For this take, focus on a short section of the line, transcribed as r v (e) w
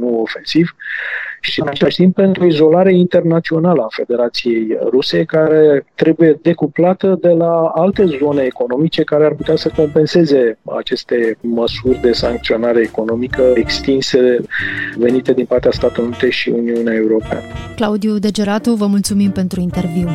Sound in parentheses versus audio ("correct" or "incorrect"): incorrect